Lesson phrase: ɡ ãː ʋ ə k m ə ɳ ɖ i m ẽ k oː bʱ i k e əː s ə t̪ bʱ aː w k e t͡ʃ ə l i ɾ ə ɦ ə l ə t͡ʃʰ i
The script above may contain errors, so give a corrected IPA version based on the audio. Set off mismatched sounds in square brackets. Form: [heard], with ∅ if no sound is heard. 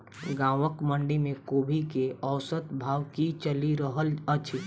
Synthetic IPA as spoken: ɡ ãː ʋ ə k m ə ɳ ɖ i m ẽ k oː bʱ i k e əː s ə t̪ bʱ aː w k [i] t͡ʃ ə l i ɾ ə ɦ ə l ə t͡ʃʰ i